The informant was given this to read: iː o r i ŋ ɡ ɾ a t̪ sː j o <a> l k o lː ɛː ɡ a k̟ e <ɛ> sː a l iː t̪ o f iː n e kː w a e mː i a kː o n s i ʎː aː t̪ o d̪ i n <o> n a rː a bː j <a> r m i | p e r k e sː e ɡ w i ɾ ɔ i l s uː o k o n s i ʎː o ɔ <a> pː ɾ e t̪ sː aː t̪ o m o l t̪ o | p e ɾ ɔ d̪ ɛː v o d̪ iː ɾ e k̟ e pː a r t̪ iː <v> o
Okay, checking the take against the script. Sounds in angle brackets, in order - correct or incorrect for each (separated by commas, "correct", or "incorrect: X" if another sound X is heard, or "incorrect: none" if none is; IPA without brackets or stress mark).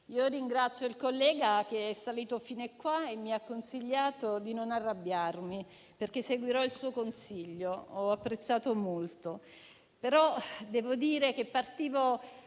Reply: incorrect: i, correct, correct, correct, correct, correct